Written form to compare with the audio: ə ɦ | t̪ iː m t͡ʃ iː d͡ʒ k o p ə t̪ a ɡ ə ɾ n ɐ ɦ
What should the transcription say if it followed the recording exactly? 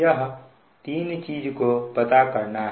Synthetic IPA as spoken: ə ɦ | t̪ iː n t͡ʃ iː d͡ʒ k o p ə t̪ a k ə ɾ n a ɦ